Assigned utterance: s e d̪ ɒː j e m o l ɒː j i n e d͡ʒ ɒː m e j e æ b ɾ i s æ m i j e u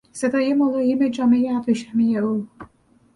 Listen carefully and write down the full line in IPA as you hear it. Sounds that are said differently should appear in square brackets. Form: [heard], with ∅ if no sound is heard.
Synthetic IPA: s e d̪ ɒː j e m o l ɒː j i [m] e d͡ʒ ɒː m e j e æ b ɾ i [ʃ] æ m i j e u